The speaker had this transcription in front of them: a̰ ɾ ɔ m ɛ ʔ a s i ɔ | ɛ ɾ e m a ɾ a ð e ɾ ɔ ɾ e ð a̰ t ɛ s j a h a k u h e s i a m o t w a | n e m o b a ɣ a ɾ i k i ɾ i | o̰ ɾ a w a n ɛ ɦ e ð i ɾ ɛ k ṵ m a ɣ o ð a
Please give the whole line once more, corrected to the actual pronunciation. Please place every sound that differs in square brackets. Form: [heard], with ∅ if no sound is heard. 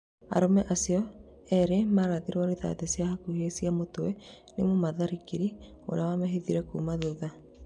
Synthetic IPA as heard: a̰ ɾ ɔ m ɛ ʔ a s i ɔ | ɛ ɾ e m a ɾ a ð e ɾ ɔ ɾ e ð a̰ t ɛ s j a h a k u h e s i a m o t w [ɛ] | n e m o [m] a [ð] a ɾ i k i ɾ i | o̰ ɾ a w a [m] ɛ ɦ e ð i ɾ ɛ k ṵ m a [ð] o ð a